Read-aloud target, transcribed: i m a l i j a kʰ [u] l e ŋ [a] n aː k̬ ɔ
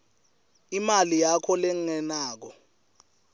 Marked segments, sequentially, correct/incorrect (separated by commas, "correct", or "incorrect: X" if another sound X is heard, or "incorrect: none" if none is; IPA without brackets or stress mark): incorrect: ɔ, incorrect: ɛ